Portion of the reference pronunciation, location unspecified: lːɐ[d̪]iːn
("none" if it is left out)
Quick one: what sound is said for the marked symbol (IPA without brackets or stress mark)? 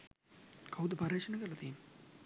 t̪